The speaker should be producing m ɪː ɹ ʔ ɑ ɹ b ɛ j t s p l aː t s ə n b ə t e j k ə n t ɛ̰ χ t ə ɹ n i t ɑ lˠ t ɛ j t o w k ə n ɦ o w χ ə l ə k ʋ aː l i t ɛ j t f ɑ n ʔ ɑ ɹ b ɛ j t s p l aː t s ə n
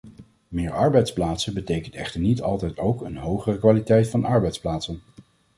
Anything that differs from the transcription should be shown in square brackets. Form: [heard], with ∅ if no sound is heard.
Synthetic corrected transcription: m ɪː ɹ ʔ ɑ ɹ b ɛ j t s p l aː t s ə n b ə t e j k ə n t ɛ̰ χ t ə ɹ n i t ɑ lˠ t ɛ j t o w k ə n ɦ o w χ ə [r] ə k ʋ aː l i t ɛ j t f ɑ n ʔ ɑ ɹ b ɛ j t s p l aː t s ə n

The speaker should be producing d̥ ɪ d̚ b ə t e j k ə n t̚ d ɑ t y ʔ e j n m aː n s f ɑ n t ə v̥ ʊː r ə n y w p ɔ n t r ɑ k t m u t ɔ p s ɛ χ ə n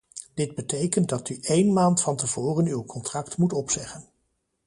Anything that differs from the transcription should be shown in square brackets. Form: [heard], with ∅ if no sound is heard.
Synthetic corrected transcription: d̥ ɪ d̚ b ə t e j k ə n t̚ d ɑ t y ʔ e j n m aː n [t] f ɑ n t ə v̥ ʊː r ə n y w [k] ɔ n t r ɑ k t m u t ɔ p s ɛ χ ə n

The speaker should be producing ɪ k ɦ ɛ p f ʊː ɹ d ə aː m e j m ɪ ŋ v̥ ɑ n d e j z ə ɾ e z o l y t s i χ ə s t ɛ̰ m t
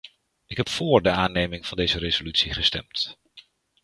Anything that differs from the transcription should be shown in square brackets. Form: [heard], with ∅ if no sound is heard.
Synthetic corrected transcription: ɪ k ɦ ɛ p f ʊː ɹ d ə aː [n] e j m ɪ ŋ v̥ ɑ n d e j z ə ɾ e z o l y t s i χ ə s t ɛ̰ m t

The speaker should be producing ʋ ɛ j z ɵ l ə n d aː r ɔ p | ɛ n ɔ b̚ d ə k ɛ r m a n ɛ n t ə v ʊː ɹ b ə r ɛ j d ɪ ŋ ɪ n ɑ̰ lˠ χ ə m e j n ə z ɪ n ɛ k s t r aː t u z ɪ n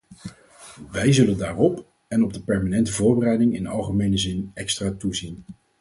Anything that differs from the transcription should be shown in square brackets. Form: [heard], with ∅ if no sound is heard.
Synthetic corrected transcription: ʋ ɛ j z ɵ l ə n d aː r ɔ p | ɛ n ɔ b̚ d ə [p] ɛ [ɹ] m a n ɛ n t ə v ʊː ɹ b ə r ɛ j d ɪ ŋ ɪ n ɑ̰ lˠ χ ə m e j n ə z ɪ n ɛ k s t r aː t u z [i] n

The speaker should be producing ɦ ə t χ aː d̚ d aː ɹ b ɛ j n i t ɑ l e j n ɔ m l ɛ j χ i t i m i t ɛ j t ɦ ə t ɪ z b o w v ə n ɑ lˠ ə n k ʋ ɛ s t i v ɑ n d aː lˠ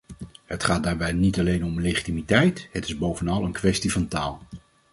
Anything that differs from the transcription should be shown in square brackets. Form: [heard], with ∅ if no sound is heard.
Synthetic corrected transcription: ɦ ə t χ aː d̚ d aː ɹ b ɛ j n i t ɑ l e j n ɔ m l [e] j χ i t i m i t ɛ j t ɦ ə t ɪ z b o w v ə n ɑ lˠ ə n k ʋ ɛ s t i v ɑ n [t] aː lˠ

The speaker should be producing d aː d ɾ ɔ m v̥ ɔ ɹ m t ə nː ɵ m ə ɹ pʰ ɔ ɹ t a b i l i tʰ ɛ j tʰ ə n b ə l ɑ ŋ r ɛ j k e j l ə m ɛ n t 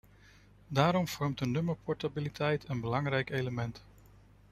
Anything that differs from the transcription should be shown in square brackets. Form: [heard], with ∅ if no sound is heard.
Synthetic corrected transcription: d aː [∅] ɾ ɔ m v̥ ɔ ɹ m t ə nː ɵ m ə ɹ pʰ ɔ ɹ t a b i l i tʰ ɛ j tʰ ə n b ə l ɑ ŋ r ɛ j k e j l ə m ɛ n t

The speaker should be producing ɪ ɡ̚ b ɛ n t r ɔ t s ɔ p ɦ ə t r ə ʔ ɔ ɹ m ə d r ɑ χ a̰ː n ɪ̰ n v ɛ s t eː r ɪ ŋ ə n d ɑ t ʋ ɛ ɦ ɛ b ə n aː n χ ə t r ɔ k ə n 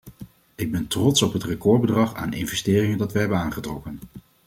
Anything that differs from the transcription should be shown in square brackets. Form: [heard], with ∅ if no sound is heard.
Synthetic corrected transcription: ɪ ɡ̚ b ɛ n t r ɔ t s ɔ p ɦ ə t r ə [k] ɔ ɹ [b] ə d r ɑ χ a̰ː n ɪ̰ n v ɛ s t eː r ɪ ŋ ə n d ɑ t ʋ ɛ ɦ ɛ b ə n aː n χ ə t r ɔ k ə n

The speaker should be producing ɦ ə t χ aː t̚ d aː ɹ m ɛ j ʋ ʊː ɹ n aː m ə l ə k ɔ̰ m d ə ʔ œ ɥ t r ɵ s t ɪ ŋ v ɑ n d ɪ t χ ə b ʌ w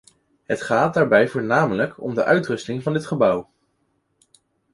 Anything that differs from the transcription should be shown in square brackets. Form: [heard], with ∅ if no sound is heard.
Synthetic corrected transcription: ɦ ə t χ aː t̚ d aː ɹ [b] ɛ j [v] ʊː ɹ n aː m ə l ə k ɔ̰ m d ə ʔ œ ɥ t r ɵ s t ɪ ŋ v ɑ n d ɪ t χ ə b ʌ w

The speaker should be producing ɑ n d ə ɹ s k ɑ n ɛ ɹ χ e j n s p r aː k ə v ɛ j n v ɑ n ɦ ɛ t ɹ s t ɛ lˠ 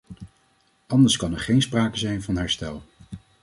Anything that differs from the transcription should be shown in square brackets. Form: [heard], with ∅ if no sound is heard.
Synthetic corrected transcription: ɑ n d ə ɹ s k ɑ n ɛ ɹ χ e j n s p r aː k ə [z] ɛ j n v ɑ n ɦ ɛ [∅] ɹ s t ɛ lˠ

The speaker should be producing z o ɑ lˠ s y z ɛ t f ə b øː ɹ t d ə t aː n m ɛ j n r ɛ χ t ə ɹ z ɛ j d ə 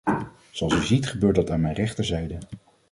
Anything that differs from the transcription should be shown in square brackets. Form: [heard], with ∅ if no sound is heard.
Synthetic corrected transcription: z o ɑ lˠ s y z [i] t [χ] ə b øː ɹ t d [ɑ] t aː n m ɛ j n r ɛ χ t ə ɹ z ɛ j d ə

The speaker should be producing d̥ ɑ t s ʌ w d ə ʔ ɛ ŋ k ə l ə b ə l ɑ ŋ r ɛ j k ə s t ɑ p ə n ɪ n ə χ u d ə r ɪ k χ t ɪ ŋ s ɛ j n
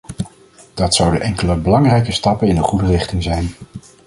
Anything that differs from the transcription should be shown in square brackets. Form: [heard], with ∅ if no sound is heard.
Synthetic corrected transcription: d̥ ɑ t s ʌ w d ə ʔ ɛ ŋ k ə l ə b ə l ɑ ŋ r ɛ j k ə s t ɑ p ə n ɪ n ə χ u d ə r ɪ [∅] χ t ɪ ŋ [z] ɛ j n

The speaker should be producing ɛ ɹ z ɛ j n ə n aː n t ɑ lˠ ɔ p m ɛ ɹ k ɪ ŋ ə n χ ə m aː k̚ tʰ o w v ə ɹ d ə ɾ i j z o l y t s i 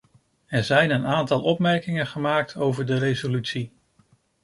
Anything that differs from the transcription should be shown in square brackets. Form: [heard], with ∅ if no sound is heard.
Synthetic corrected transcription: ɛ ɹ z ɛ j n ə n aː n t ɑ lˠ ɔ p m ɛ ɹ k ɪ ŋ ə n χ ə m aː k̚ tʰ o w v ə ɹ d ə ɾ [e] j z o l y t s i

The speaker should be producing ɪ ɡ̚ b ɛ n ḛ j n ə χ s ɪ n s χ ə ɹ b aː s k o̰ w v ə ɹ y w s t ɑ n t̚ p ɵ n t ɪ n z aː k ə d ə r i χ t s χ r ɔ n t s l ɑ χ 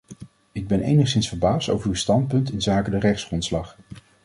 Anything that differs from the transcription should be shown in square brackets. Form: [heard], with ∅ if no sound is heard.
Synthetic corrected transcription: ɪ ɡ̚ b ɛ n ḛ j n ə χ s ɪ n s [f] ə ɹ b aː s [t] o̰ w v ə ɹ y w s t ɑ n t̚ p ɵ n t ɪ n z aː k ə d ə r [ɛ] χ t s χ r ɔ n t s l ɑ χ

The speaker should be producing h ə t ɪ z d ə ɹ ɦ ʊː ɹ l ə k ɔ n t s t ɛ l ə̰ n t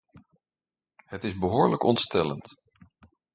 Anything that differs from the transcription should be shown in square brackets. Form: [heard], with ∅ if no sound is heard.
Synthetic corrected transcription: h ə t ɪ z [b] ə [∅] ɦ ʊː ɹ l ə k ɔ n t s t ɛ l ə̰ n t

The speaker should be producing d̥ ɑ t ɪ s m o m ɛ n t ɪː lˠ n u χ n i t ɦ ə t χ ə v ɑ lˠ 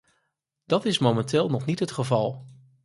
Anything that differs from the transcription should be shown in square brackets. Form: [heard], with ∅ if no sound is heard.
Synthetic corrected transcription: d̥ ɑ t ɪ s m o m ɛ n t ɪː lˠ n [ɔ] χ n i t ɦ ə t χ ə v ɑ lˠ

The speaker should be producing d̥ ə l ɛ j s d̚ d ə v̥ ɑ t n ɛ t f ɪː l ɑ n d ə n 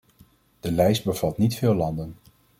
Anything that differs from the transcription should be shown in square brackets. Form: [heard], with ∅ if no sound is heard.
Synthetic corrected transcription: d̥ ə l ɛ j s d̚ [b] ə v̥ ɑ t n [i] t f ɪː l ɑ n d ə n

